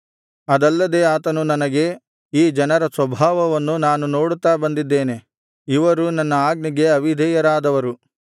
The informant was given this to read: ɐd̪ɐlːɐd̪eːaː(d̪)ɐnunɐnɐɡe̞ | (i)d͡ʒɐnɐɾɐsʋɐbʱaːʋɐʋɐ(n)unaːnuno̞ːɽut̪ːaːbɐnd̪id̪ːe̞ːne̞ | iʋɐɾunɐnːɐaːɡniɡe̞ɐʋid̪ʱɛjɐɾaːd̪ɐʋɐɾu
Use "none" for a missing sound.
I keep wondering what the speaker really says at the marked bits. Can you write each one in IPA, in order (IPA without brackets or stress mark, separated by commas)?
t̪, iː, nː